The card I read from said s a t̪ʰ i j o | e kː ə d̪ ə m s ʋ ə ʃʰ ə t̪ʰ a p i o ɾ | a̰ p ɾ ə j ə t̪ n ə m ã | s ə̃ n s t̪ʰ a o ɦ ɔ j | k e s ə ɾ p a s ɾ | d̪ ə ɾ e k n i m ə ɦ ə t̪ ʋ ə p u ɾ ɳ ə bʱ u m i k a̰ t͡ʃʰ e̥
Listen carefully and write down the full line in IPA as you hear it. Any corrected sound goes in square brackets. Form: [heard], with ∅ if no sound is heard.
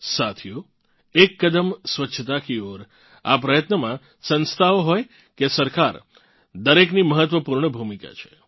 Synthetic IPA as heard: s a t̪ʰ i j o | e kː ə d̪ ə m s ʋ ə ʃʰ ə [t̪] a [k] i o ɾ | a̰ p ɾ ə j ə t̪ n ə m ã | s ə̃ n s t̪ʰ a o ɦ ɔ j | k e s ə ɾ [k] a [∅] ɾ | d̪ ə ɾ e k n i m ə ɦ ə t̪ ʋ ə p u ɾ ɳ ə bʱ u m i k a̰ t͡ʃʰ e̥

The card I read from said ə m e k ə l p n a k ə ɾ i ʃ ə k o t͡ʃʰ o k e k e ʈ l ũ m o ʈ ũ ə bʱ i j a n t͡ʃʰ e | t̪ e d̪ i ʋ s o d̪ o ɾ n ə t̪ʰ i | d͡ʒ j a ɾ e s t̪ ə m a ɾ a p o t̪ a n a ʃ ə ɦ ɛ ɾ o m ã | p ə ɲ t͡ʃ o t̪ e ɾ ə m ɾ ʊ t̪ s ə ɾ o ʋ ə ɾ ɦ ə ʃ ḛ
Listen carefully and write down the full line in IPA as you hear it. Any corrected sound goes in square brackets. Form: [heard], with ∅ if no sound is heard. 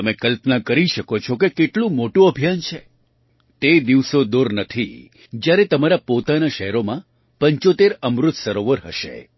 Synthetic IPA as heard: ə m e k ə l p n a k ə ɾ i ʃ ə k o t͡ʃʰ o k e k e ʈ l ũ m o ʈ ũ ə bʱ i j a n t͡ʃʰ e | t̪ e d̪ i ʋ s o d̪ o ɾ n ə t̪ʰ i | d͡ʒ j a ɾ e [∅] t̪ ə m a ɾ a p o t̪ a n a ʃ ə ɦ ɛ ɾ o m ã | p ə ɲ t͡ʃ o t̪ e ɾ ə m ɾ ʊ t̪ s ə ɾ o ʋ ə ɾ ɦ ə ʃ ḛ

